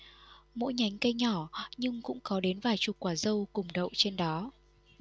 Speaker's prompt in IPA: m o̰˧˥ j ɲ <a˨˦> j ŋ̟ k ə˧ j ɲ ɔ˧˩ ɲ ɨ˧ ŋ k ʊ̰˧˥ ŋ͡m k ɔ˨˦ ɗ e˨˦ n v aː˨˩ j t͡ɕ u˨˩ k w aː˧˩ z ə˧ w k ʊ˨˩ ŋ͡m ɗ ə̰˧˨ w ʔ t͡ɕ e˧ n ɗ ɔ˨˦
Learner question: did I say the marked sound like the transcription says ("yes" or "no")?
yes